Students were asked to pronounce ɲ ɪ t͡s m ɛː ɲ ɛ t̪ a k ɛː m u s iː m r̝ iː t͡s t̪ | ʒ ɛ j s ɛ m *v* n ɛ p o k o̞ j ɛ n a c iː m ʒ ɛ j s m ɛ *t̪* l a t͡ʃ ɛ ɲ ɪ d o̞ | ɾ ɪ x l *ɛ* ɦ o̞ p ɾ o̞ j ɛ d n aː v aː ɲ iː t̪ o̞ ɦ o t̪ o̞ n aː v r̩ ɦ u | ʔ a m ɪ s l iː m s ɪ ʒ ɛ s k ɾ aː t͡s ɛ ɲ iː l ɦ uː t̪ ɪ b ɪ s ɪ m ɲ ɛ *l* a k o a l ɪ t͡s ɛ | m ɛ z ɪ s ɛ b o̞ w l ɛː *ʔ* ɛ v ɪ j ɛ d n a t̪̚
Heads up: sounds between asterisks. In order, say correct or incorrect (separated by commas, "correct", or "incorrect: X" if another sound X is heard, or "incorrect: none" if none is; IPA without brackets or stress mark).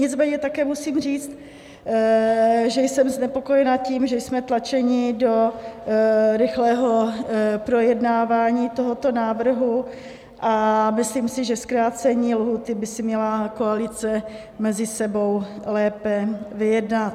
incorrect: z, correct, incorrect: ɛː, correct, incorrect: p